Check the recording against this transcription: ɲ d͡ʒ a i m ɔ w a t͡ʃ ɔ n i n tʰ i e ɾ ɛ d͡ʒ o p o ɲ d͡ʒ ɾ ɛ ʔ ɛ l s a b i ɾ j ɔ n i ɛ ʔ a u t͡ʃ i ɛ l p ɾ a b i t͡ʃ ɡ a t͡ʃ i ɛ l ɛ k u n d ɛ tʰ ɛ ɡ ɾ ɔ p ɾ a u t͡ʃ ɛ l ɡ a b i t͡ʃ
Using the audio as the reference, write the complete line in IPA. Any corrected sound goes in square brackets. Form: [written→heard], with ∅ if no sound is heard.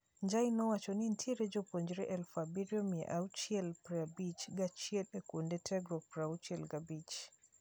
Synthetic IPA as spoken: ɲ d͡ʒ a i [m→n] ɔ w a t͡ʃ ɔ n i n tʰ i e ɾ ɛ d͡ʒ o p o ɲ d͡ʒ ɾ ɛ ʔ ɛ l [s→f] a b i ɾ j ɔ [n→m] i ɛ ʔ a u t͡ʃ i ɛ l p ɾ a b i t͡ʃ ɡ a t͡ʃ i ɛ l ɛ k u n d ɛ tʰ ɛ ɡ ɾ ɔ p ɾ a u t͡ʃ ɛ l ɡ a b i t͡ʃ